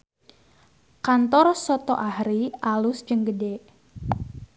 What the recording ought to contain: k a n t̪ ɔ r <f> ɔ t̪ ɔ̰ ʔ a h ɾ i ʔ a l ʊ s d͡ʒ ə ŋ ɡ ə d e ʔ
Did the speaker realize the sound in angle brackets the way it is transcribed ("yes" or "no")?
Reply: no